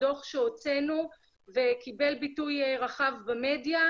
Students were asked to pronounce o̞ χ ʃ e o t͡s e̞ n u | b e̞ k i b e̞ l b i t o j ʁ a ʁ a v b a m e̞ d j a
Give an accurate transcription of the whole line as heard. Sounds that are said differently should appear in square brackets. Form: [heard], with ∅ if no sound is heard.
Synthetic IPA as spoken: o̞ χ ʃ e o t͡s e̞ n u | [v] e̞ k i b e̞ l b i t [u] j ʁ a [χ] a v b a m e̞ d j a